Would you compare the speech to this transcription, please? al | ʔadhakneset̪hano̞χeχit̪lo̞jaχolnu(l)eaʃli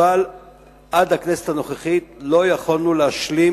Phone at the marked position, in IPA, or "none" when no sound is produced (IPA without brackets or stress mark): l